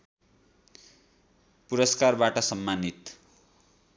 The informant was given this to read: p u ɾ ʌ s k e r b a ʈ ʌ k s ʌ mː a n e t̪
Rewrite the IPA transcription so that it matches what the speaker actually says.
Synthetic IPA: p u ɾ ʌ s k a r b a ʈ ʌ s ʌ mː a n i t̪